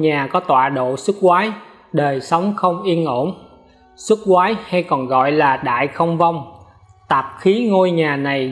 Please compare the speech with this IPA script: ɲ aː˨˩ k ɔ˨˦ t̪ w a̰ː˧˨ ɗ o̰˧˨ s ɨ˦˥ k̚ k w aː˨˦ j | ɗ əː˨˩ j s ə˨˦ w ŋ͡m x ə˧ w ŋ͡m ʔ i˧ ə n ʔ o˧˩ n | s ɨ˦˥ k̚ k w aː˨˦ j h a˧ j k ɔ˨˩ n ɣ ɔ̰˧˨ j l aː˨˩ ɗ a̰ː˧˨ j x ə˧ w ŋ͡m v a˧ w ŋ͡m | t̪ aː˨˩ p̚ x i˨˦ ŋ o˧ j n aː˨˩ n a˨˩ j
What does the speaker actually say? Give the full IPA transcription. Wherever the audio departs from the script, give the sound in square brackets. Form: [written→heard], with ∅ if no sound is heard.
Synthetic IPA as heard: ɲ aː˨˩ k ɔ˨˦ t̪ w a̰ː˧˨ ɗ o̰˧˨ s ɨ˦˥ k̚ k w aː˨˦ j | ɗ əː˨˩ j s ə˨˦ w ŋ͡m x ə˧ w ŋ͡m ʔ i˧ ə n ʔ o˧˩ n | s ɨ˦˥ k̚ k w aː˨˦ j h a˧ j k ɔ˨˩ n ɣ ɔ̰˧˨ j l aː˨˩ ɗ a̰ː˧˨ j x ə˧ w ŋ͡m v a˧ w ŋ͡m | t̪ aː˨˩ p̚ x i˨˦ ŋ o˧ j [n→ɲ] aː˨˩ n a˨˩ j